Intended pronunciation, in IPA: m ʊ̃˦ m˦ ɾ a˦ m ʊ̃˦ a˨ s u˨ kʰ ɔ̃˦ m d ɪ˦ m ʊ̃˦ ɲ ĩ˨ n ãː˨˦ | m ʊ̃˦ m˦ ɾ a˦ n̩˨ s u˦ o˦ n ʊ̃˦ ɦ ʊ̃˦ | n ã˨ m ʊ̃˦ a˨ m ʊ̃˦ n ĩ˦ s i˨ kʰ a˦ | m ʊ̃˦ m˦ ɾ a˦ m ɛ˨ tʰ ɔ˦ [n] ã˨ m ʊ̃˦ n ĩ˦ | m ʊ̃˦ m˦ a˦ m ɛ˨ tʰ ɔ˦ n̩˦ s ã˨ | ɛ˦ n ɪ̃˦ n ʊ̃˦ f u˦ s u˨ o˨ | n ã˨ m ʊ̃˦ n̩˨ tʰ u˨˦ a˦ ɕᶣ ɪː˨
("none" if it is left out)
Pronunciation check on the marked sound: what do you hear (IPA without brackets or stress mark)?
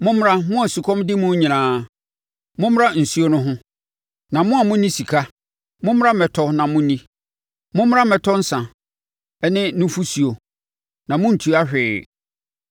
n